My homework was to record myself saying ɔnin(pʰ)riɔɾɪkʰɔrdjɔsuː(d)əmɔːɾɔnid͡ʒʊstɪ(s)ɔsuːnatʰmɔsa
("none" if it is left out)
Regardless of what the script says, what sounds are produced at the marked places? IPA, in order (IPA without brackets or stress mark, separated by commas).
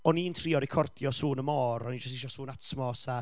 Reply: tʰ, n, ʃ